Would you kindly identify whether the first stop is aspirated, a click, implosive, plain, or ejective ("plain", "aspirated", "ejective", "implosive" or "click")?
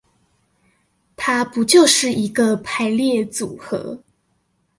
aspirated